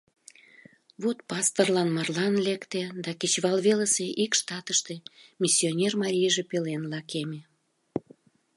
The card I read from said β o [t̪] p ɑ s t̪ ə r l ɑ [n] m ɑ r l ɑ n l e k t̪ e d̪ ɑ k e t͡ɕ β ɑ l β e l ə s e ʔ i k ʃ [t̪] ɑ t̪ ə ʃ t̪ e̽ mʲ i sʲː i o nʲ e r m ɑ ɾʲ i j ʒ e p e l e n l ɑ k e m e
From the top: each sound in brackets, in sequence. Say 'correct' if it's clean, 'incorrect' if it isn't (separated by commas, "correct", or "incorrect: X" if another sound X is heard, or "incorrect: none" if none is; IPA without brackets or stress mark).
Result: correct, correct, correct